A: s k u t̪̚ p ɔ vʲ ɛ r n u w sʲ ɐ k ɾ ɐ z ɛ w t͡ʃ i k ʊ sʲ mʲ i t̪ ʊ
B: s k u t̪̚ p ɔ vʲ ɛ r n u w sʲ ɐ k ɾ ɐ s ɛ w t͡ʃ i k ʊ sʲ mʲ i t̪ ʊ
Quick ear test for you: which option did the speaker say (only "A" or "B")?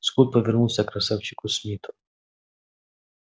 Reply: B